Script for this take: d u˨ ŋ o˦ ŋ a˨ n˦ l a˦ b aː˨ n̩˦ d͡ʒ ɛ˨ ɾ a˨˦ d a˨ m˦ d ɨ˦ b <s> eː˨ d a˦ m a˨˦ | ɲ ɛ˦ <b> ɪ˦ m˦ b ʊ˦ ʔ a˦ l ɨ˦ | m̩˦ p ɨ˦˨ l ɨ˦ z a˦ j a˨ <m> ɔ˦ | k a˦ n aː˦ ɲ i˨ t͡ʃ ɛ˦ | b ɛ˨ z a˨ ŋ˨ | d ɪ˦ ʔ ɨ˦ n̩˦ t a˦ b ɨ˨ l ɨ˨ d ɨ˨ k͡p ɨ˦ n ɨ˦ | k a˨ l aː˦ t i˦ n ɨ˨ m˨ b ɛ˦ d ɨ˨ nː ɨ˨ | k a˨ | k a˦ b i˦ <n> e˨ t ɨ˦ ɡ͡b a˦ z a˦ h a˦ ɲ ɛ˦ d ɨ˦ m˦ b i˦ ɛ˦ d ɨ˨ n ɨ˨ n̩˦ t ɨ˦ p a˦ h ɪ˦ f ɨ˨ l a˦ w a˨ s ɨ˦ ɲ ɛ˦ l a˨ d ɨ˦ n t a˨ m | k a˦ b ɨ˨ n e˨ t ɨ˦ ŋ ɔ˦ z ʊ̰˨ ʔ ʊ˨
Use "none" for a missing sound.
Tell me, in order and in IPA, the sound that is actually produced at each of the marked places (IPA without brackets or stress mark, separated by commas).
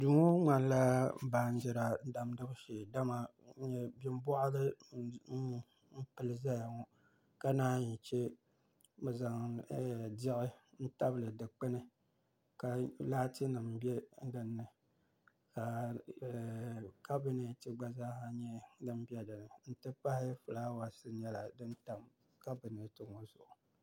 ʃ, b, ŋ, n